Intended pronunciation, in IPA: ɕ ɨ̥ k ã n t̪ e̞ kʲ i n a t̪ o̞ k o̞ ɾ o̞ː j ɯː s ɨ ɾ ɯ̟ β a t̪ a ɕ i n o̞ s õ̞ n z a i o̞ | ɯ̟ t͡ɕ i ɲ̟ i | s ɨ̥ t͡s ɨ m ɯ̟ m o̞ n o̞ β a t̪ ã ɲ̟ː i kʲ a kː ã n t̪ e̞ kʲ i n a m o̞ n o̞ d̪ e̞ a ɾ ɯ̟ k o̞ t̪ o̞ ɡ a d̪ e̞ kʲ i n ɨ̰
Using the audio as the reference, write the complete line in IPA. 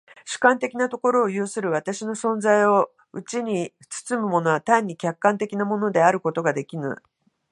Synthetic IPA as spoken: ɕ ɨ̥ k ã n t̪ e̞ kʲ i n a t̪ o̞ k o̞ ɾ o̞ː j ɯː s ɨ ɾ ɯ̟ β a t̪ a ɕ i n o̞ s õ̞ n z a i o̞ | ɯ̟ t͡ɕ i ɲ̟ i | t͡s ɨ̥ t͡s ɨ m ɯ̟ m o̞ n o̞ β a t̪ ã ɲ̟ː i kʲ a kː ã n t̪ e̞ kʲ i n a m o̞ n o̞ d̪ e̞ a ɾ ɯ̟ k o̞ t̪ o̞ ɡ a d̪ e̞ kʲ i n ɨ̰